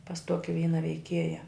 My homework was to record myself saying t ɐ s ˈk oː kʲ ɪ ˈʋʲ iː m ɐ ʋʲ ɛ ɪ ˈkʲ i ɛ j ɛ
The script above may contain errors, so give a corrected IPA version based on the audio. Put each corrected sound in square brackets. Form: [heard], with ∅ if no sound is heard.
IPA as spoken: [p] ɐ s [ˈt] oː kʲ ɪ ˈʋʲ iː [n] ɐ ʋʲ ɛ ɪ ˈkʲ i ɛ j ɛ